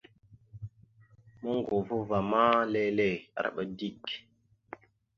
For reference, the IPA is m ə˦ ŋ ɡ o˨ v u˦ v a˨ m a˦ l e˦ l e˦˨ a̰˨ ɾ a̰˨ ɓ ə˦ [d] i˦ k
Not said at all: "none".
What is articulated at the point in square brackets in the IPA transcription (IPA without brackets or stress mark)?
d